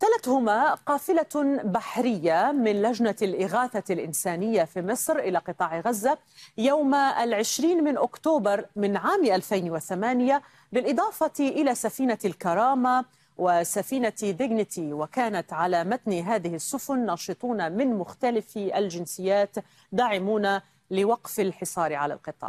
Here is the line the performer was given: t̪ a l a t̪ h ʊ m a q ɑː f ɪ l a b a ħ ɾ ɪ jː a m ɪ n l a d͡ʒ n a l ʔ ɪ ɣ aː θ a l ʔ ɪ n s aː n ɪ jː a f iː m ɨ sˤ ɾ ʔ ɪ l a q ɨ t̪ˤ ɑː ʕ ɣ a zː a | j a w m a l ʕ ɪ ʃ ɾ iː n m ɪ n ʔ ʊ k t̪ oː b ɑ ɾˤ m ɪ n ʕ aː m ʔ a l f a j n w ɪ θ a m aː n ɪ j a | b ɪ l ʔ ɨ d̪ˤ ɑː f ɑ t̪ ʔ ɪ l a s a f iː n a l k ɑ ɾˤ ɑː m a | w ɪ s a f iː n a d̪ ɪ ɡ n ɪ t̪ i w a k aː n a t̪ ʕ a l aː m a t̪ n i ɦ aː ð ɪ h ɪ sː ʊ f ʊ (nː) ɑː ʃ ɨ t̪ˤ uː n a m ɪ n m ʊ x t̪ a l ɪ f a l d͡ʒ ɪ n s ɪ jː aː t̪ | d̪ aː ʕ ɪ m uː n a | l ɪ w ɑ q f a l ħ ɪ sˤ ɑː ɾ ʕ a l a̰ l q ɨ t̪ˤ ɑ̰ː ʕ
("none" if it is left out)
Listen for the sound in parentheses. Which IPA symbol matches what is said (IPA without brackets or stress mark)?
nː